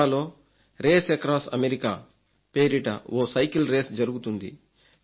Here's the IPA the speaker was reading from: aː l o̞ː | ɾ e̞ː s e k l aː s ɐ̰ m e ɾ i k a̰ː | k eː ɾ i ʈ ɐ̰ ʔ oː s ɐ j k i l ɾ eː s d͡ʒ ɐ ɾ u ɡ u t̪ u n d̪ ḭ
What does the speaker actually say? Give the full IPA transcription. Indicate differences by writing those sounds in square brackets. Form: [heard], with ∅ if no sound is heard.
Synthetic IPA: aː l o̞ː | ɾ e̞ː s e k [ɾ] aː s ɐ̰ m e ɾ i k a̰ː | [p] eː ɾ i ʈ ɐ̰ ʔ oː s ɐ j k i l ɾ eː s d͡ʒ ɐ ɾ u ɡ u t̪ u n d̪ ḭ